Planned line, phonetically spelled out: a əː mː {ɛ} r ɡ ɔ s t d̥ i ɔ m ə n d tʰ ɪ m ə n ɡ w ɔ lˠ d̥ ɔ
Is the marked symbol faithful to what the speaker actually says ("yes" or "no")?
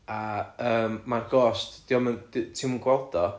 no